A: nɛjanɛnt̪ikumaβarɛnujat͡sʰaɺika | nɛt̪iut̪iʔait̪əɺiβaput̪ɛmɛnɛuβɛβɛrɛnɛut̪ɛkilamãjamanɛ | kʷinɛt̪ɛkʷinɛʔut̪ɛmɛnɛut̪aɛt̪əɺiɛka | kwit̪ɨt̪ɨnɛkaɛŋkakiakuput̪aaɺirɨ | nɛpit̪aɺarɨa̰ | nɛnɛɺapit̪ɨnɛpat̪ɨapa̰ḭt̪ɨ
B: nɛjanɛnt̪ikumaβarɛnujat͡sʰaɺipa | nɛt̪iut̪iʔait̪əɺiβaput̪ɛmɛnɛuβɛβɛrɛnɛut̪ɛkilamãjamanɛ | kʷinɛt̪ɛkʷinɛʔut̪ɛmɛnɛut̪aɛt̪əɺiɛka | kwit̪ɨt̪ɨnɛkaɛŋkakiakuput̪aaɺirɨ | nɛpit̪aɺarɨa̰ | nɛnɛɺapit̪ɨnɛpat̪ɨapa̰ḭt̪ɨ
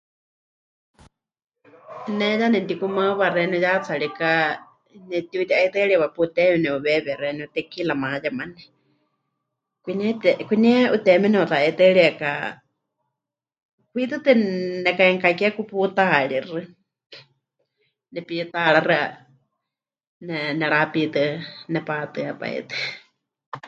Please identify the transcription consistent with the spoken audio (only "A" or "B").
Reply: A